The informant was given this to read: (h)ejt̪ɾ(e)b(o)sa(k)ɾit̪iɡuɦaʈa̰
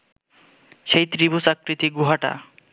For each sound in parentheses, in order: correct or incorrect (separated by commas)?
incorrect, incorrect, incorrect, correct